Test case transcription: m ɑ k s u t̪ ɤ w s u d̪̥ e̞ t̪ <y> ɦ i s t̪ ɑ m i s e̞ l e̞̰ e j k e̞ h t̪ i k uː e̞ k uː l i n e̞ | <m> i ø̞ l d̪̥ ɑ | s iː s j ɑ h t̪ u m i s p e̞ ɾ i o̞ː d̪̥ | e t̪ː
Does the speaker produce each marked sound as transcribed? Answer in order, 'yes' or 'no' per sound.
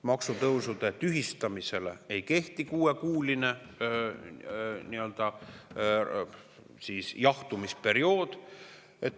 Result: yes, no

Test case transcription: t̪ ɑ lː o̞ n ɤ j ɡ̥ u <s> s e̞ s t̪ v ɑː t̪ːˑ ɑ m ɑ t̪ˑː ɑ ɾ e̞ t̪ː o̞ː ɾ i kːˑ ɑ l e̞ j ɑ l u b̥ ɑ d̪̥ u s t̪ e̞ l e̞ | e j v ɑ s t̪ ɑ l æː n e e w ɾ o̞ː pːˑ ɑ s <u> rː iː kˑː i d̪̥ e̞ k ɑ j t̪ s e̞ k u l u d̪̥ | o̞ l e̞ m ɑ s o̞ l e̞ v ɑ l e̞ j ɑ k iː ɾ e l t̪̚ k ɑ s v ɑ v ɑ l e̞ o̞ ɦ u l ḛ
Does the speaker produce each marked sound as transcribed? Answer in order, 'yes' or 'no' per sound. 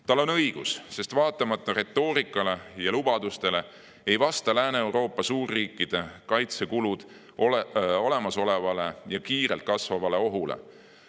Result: yes, no

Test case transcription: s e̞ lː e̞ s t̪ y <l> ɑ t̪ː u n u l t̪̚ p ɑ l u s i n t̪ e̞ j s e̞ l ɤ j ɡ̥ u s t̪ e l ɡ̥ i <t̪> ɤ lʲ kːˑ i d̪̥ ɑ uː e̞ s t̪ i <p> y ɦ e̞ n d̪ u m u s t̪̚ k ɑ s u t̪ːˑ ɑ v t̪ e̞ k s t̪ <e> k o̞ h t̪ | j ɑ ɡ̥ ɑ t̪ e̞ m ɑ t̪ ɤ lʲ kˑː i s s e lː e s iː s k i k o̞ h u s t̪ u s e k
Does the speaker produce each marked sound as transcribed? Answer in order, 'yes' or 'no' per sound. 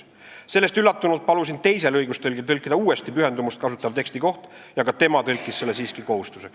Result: no, yes, yes, no

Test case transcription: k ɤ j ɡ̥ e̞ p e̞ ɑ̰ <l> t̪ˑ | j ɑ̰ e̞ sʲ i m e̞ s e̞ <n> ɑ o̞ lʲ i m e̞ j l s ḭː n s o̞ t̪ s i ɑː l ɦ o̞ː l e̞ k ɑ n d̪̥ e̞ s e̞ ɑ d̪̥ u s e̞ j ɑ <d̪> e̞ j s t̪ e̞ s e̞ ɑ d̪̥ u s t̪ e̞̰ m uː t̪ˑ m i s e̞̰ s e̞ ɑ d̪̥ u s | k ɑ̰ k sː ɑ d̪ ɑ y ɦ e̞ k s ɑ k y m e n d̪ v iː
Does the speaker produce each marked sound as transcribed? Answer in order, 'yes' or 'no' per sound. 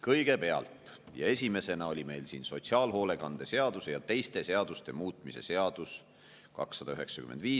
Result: yes, yes, no

